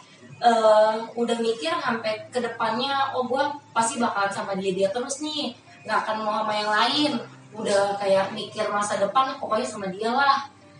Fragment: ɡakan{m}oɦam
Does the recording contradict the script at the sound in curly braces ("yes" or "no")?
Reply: no